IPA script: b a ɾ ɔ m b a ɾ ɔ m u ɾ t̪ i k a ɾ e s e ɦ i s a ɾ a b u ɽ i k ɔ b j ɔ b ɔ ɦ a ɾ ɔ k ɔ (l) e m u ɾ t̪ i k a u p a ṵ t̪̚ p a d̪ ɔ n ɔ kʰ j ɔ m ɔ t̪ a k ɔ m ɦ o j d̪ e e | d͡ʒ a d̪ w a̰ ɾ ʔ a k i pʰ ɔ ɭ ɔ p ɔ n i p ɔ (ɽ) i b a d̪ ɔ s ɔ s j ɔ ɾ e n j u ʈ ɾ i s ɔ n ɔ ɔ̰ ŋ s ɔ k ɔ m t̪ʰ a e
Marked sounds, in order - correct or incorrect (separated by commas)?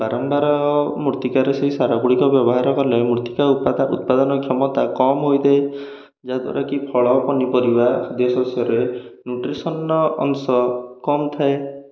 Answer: correct, incorrect